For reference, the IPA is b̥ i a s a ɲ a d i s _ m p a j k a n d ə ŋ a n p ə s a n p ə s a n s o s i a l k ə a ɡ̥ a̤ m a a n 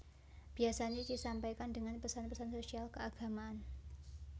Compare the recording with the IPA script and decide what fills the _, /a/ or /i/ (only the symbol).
a